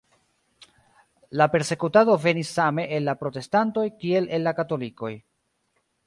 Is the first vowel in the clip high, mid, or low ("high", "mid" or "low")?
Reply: low